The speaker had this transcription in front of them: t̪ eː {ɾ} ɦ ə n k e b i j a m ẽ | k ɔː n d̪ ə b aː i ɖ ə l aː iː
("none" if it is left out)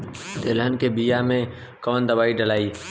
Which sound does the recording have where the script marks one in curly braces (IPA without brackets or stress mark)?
l